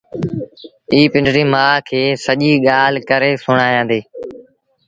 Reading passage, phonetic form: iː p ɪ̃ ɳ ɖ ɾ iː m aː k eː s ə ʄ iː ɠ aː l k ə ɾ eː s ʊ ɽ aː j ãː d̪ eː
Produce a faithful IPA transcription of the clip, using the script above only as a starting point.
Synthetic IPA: iː p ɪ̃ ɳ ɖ ɾ iː m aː kʰ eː s ə ʄ iː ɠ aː l k ə ɾ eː s ʊ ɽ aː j ãː d̪ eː